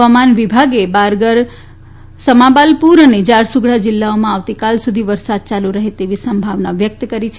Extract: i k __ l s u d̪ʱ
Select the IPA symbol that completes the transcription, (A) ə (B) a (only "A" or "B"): B